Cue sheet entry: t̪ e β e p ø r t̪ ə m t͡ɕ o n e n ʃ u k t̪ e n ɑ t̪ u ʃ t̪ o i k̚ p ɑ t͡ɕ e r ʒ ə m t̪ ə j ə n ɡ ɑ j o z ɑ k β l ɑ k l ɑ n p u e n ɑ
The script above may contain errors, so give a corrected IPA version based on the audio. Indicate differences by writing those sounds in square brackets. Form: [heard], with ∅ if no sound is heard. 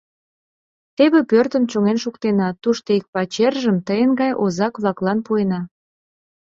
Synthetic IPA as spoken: t̪ e β e p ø r t̪ ə m t͡ɕ o [ŋ] e n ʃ u k t̪ e n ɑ t̪ u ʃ t̪ o i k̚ p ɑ t͡ɕ e r ʒ ə m t̪ ə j ə n ɡ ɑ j o z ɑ k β l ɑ k l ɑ n p u e n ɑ